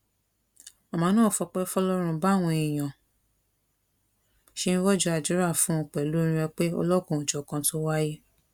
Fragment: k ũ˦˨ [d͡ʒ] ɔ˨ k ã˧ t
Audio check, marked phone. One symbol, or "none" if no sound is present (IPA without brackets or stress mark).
d͡ʒ